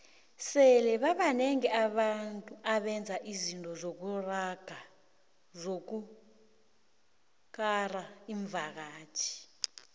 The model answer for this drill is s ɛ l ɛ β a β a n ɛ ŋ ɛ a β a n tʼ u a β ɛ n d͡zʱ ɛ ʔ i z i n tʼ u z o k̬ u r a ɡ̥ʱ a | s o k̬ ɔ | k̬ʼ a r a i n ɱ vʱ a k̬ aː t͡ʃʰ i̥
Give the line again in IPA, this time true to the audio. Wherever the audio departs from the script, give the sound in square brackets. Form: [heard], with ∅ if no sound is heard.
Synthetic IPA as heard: s ɛ l ɛ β a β a n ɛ ŋ ɛ a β a n tʼ u a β ɛ n d͡zʱ [a] ʔ i z i n tʼ [ɔ] z o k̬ u r a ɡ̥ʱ a | [z] o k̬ [u] | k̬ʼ a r a i [∅] ɱ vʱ a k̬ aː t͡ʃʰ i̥